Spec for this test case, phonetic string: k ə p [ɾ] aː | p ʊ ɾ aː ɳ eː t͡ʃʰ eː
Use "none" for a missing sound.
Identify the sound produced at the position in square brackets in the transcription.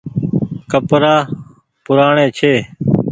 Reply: ɾ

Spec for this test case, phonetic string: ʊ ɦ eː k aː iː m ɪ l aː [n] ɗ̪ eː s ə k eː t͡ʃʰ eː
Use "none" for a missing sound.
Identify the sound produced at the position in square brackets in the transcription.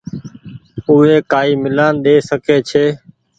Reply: n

